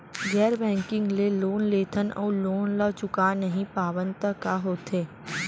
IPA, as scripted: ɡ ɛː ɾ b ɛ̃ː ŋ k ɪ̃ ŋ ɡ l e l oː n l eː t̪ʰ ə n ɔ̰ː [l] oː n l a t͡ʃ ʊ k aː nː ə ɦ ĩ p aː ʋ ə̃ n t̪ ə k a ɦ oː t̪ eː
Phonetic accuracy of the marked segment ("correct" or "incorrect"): correct